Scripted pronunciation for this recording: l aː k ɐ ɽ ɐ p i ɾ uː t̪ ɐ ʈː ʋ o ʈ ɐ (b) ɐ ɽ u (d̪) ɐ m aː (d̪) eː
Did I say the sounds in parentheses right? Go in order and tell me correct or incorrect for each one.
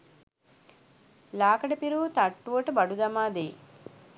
correct, correct, correct

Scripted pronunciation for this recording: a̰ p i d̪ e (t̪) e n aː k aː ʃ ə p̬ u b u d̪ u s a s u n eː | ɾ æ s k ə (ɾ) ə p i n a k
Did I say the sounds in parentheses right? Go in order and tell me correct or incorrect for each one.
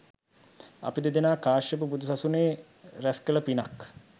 incorrect: d̪, incorrect: l

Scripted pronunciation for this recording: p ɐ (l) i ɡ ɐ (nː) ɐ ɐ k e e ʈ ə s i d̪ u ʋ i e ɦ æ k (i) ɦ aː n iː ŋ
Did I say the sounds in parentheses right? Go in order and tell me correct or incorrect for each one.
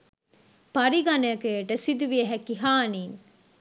incorrect: ɾ, incorrect: n, correct

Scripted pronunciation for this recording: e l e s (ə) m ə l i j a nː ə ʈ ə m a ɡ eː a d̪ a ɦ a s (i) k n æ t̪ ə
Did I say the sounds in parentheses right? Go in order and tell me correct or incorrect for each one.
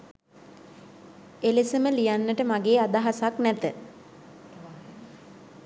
correct, incorrect: a

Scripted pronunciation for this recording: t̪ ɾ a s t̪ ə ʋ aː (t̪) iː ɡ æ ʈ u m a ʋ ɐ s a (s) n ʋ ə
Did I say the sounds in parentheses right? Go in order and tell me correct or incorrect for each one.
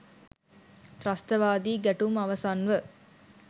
incorrect: d̪, incorrect: none

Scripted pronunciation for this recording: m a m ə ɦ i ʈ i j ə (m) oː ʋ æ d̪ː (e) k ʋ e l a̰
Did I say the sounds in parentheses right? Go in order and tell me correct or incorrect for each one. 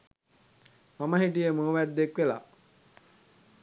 correct, correct

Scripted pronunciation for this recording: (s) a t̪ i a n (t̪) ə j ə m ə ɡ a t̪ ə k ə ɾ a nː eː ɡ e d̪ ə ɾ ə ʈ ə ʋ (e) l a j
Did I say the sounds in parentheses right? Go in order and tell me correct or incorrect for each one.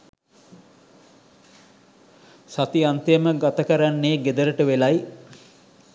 correct, correct, correct

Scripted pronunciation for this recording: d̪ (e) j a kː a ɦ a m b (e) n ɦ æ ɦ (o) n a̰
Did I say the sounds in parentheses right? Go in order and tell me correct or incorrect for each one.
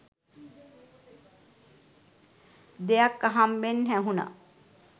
correct, correct, incorrect: u

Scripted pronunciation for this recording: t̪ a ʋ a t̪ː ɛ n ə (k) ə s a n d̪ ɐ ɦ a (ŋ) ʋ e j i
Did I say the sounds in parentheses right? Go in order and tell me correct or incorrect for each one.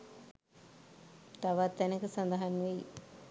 correct, incorrect: n

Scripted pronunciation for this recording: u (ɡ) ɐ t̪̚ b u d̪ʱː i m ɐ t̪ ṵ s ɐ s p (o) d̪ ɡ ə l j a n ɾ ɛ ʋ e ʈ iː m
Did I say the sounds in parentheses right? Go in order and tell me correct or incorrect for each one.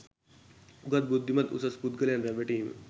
correct, incorrect: u

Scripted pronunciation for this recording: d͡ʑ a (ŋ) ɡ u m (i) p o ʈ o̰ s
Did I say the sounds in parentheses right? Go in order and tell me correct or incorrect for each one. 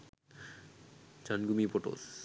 incorrect: n, correct

